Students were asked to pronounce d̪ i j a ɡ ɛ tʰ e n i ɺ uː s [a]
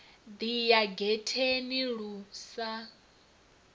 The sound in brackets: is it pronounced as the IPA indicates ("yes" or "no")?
yes